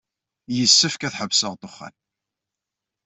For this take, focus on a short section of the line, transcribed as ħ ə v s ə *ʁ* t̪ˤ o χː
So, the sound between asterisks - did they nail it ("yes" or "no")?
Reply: yes